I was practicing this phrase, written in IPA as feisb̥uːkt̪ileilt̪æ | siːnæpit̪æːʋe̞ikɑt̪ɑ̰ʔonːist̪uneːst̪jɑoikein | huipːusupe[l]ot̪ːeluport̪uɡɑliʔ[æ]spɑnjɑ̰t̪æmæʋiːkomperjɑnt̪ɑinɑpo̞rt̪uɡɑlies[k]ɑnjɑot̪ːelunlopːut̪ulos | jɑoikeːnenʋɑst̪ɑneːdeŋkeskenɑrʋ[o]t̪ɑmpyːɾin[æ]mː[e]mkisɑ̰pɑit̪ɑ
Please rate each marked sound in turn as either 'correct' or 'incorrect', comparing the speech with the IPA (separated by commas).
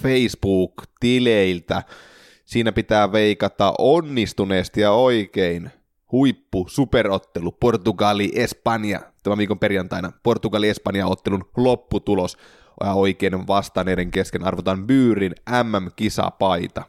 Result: incorrect, incorrect, incorrect, correct, correct, incorrect